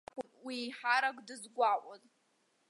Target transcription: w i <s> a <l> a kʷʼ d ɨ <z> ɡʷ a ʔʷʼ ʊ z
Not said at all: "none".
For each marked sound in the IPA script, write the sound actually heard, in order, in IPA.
ħ, ɾ, z

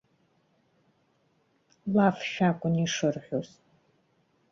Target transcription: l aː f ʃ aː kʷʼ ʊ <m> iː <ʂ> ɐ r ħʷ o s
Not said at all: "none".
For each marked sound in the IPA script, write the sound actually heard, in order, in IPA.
n, ʂ

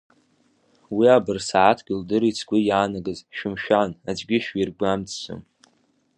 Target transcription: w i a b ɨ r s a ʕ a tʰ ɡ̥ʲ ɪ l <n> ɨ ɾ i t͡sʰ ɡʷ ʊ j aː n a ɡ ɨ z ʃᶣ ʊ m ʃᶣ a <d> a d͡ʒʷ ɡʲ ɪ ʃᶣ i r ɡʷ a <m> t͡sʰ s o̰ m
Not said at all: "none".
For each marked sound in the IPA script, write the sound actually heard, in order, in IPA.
d, n, m

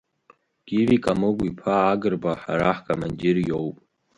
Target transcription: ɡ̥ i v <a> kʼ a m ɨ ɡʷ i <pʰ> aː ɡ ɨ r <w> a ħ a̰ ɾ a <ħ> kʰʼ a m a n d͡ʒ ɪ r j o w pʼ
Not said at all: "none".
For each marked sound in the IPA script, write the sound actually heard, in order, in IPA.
i, pʰ, b, ħ

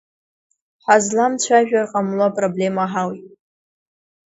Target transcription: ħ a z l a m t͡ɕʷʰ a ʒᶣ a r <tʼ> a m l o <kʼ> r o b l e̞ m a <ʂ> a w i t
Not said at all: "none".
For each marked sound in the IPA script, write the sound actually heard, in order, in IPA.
qʼ, pʼ, ħ

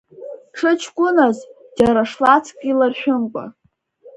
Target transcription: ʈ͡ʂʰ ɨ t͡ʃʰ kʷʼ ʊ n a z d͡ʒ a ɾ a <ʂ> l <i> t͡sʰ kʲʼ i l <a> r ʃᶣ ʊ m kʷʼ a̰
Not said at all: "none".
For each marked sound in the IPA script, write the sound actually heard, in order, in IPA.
ʂ, a, a

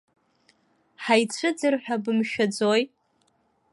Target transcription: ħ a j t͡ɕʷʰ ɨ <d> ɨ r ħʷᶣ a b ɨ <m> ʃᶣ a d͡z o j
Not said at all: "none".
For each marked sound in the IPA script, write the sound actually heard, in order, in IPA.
d͡z, m

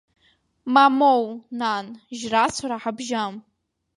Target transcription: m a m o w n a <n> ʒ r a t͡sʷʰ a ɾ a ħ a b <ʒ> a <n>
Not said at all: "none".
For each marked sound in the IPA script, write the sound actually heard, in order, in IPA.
n, ʒ, m

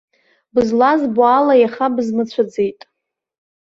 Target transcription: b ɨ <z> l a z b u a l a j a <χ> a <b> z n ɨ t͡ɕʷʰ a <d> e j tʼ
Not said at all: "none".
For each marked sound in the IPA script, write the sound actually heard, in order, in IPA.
z, χ, b, d͡z

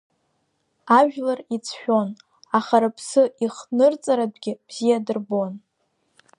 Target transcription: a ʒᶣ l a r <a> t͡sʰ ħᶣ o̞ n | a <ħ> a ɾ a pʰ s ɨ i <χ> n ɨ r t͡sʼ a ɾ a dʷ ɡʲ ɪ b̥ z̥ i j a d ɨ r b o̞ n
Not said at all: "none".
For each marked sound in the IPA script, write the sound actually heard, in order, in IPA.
i, χ, χ

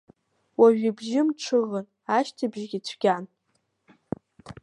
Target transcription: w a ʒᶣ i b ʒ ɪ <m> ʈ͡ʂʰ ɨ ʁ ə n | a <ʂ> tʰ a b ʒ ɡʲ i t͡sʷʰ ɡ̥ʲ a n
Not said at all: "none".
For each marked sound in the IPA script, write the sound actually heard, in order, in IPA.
m, ʃ

